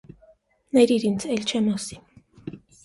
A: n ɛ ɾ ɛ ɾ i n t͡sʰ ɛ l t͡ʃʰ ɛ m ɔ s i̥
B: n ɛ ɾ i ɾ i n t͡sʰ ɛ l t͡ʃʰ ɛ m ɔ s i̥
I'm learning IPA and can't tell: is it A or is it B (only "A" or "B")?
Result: B